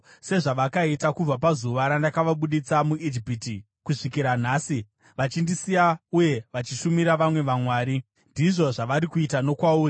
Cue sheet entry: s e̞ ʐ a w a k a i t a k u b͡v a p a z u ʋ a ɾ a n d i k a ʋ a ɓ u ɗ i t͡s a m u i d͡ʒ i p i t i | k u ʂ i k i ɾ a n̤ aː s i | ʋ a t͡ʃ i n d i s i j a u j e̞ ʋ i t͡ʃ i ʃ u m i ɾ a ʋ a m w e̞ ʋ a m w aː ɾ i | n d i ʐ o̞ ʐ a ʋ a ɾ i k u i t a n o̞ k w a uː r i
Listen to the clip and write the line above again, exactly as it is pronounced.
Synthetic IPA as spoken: s e̞ ʐ a ʋ a k a i t a k u b͡v a p a z u ʋ a ɾ a n d a k a ʋ a ɓ u ɗ i t͡s a m u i d͡ʒ i p i t i | k u ʂ i k i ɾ a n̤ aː s i | ʋ a t͡ʃ i n d i s i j a u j e̞ ʋ a t͡ʃ i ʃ u m i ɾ a ʋ a m w e̞ ʋ a m w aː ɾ i | n d i ʐ o̞ ʐ a ʋ a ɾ i k u i t a n o̞ k w a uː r i